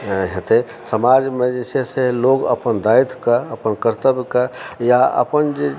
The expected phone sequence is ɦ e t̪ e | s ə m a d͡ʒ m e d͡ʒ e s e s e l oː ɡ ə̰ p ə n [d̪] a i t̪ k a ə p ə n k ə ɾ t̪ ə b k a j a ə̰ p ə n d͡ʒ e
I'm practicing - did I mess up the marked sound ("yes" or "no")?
no